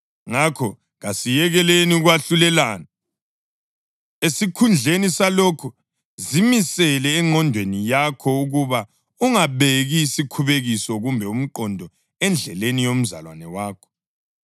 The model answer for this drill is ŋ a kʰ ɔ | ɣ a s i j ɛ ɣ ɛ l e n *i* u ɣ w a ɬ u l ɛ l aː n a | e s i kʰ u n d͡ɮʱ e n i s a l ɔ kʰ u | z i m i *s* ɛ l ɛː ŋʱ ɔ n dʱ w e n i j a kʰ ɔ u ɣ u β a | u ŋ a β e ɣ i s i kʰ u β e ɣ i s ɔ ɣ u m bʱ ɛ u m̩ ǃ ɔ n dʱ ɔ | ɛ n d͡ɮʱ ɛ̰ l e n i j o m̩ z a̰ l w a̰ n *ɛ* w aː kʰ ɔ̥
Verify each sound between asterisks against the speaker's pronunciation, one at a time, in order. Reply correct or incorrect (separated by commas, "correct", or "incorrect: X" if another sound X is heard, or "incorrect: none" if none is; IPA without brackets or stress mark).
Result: correct, correct, correct